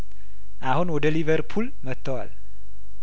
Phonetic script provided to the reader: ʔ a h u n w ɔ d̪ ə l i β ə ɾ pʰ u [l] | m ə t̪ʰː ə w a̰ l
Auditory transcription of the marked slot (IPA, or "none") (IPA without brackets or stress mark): l